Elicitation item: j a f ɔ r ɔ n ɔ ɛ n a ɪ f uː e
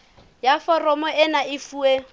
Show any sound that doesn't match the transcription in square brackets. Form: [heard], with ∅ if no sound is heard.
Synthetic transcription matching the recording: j a f ɔ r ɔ [m] ɔ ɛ n a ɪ f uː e